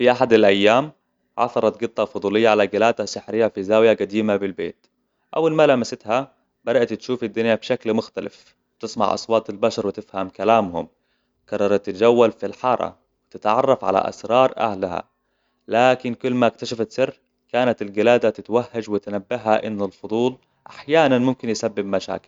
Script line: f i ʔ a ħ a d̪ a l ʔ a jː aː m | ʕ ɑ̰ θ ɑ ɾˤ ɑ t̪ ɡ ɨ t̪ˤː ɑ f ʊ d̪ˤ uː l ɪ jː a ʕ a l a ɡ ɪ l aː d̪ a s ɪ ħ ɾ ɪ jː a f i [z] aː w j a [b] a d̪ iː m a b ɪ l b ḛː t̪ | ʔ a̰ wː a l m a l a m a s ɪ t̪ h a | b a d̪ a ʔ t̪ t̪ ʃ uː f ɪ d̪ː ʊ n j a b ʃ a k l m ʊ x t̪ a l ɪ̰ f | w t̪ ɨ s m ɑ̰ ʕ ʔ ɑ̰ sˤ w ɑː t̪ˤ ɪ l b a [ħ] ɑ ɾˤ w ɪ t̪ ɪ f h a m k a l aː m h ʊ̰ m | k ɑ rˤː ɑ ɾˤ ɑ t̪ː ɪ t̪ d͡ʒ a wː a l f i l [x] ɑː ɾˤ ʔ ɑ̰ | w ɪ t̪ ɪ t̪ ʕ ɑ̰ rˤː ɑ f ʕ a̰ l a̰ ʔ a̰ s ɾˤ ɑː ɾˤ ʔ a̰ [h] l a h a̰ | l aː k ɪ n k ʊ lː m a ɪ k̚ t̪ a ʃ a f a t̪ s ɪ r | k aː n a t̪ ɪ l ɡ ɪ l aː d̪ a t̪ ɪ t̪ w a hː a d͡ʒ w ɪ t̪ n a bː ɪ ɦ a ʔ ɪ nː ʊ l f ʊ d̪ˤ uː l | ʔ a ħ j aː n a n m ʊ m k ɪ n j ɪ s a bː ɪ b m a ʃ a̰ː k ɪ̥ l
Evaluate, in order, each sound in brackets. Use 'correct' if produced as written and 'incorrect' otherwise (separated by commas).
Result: correct, incorrect, incorrect, incorrect, correct